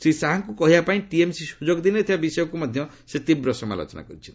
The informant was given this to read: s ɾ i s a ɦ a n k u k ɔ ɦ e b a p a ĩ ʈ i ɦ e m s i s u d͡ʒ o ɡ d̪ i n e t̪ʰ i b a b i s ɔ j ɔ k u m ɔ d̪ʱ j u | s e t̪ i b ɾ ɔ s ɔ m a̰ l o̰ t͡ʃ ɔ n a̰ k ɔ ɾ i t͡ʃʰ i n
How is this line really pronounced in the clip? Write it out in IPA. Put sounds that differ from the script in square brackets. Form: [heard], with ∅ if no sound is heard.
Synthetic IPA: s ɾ i s a ɦ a [ŋ] k u k ɔ ɦ [i] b a p a ĩ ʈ i [∅] e m s i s u d͡ʒ o ɡ d̪ i n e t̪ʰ i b a b i s ɔ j ɔ k u m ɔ d̪ʱ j [ɔ] | s e t̪ i b ɾ ɔ s ɔ m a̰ l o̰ t͡ʃ ɔ n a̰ k ɔ ɾ i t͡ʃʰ i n